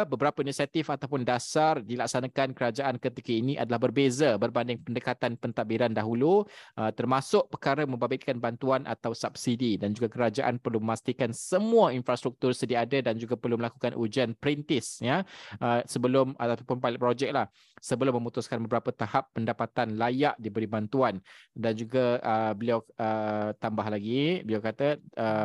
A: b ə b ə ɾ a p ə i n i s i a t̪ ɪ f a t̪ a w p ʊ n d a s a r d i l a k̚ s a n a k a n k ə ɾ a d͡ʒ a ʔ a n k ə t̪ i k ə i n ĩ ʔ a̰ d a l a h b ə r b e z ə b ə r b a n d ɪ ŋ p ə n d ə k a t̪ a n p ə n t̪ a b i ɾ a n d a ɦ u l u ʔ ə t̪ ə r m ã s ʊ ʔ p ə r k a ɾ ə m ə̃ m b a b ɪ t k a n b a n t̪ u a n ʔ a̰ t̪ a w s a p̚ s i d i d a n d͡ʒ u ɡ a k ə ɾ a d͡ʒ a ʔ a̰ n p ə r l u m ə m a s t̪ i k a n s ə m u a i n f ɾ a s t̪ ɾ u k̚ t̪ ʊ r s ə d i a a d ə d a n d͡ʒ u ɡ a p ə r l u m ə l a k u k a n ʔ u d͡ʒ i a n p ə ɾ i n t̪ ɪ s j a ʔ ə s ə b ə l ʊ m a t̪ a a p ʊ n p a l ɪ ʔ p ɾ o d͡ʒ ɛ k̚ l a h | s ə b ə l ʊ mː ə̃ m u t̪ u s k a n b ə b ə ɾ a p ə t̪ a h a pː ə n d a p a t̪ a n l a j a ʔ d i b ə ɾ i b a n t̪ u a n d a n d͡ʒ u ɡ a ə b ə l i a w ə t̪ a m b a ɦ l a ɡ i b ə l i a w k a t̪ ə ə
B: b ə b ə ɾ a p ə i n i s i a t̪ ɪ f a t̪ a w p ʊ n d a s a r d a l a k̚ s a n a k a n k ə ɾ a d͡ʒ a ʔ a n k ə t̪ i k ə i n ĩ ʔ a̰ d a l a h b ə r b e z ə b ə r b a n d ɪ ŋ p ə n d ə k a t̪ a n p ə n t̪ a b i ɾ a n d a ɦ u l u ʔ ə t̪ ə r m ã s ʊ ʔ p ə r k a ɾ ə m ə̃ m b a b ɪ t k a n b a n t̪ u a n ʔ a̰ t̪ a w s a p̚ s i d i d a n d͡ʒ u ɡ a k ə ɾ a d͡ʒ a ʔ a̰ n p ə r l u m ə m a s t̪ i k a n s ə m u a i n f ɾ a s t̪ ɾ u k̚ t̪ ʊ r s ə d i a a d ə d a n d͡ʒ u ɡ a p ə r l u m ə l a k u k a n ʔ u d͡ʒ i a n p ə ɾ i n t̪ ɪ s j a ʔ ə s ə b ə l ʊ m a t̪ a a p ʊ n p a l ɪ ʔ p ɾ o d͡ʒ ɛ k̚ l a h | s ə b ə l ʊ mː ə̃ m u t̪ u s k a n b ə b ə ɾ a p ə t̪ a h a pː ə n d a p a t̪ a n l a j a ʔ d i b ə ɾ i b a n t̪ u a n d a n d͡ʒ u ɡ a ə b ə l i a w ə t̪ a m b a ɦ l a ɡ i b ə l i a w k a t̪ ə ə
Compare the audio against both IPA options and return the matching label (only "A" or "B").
A